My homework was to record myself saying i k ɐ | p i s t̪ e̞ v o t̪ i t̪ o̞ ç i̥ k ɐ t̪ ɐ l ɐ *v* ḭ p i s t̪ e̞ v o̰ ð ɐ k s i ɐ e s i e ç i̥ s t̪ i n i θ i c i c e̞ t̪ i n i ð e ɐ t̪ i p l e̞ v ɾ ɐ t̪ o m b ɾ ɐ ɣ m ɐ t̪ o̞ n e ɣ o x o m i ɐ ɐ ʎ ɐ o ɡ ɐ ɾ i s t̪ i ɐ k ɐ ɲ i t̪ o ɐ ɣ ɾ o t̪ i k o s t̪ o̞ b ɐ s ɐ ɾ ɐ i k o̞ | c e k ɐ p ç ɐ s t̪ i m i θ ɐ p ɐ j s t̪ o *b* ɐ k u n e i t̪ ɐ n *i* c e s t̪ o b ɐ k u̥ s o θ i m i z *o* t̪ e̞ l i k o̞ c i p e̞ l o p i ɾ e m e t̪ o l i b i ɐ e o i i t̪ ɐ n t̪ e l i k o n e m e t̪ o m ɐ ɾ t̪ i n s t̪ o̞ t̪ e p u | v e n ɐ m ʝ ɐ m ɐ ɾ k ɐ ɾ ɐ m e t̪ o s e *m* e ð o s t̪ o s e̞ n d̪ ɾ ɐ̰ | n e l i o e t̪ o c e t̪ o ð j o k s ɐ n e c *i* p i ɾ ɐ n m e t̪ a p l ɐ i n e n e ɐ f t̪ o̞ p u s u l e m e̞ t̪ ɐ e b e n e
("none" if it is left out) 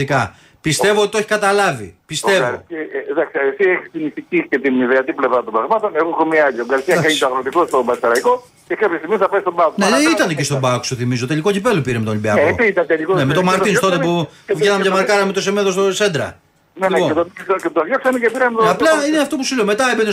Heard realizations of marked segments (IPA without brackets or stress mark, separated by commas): v, b, e, o, m, e